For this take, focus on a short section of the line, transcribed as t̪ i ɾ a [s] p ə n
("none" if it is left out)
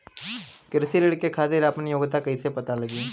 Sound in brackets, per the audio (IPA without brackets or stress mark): none